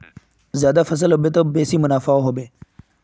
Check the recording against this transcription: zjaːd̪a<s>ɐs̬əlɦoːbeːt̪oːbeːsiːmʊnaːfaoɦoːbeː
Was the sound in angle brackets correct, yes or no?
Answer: no